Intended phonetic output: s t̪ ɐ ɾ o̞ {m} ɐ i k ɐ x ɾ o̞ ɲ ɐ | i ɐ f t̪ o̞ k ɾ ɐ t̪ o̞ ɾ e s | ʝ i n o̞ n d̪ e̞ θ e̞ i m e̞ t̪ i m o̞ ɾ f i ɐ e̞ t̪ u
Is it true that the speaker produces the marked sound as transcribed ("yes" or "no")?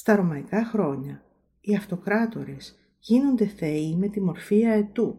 yes